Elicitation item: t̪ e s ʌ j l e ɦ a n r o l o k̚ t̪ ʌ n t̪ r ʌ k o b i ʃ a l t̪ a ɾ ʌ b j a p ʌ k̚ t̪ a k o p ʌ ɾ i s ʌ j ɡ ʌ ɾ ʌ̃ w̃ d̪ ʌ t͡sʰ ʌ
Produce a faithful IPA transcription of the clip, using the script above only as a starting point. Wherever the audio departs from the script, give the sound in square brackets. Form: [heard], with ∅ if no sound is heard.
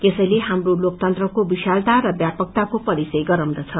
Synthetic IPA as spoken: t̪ e s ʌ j l e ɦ a [m] r o l o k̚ t̪ ʌ n t̪ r ʌ k o b i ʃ a l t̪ a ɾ ʌ b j a p ʌ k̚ t̪ a k o p ʌ ɾ i s ʌ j ɡ ʌ ɾ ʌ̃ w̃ d̪ ʌ t͡sʰ ʌ